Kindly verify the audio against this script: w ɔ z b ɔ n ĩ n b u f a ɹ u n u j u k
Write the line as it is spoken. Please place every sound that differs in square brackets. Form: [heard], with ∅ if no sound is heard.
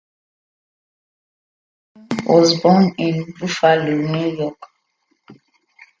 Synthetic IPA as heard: w ɔ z b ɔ n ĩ n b u f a [l] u n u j [ɔ] k